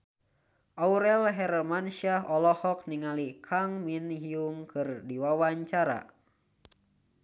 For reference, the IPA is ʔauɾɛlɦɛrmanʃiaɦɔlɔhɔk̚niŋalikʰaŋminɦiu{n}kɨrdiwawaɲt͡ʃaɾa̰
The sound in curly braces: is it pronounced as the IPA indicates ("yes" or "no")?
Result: no